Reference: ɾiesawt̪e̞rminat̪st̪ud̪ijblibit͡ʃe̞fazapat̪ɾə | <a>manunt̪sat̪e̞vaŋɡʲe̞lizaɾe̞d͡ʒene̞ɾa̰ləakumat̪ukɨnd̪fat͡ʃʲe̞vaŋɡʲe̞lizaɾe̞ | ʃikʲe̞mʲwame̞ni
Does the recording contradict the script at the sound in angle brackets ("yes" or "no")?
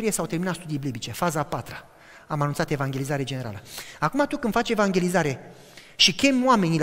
no